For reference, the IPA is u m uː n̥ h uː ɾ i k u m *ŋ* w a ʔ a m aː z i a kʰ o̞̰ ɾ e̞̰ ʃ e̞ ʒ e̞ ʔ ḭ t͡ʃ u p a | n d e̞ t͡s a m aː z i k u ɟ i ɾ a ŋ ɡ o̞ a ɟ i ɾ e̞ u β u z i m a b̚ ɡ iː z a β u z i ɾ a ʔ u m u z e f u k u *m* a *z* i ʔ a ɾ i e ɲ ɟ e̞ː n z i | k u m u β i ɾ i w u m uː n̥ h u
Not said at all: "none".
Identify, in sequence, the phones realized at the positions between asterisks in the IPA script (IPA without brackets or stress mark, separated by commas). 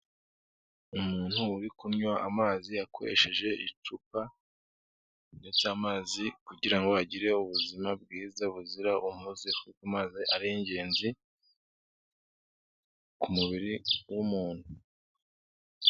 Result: ɲ, m, z